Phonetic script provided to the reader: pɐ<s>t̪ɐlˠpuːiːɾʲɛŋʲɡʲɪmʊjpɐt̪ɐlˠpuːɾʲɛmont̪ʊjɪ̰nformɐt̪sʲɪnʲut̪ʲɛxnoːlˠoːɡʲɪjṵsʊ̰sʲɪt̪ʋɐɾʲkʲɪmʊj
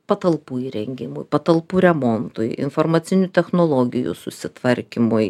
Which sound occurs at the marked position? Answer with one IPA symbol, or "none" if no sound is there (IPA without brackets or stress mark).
none